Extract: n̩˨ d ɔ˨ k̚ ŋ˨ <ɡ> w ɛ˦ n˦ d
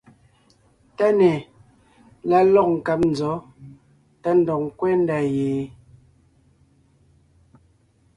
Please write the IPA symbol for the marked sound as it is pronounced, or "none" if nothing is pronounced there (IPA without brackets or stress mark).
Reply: k